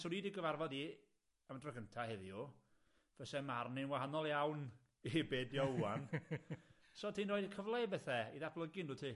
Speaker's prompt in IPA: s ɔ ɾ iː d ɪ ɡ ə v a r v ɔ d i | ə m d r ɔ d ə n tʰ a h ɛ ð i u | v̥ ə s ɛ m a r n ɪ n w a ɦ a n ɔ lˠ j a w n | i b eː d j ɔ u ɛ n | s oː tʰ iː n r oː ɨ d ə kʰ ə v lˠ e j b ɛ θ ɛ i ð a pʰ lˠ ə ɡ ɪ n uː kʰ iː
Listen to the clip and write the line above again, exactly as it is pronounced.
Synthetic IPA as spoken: s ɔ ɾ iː d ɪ ɡ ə v a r v ɔ d i | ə m d r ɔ ɡ ə n tʰ a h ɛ ð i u | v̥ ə s ɛ m a r n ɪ n w a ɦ a n ɔ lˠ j a w n | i b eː d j ɔ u a n | s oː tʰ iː n r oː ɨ d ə kʰ ə v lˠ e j b ɛ θ ɛ i ð a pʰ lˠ ə ɡ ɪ n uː tʰ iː